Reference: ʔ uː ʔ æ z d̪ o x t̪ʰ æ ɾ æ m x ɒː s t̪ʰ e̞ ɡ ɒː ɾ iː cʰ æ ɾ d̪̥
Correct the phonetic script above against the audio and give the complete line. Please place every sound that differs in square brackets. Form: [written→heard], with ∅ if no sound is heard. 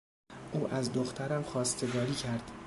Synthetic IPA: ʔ uː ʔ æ z d̪ o x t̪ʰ æ ɾ æ m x ɒː s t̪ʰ e̞ ɡ ɒː ɾ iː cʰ æ ɾ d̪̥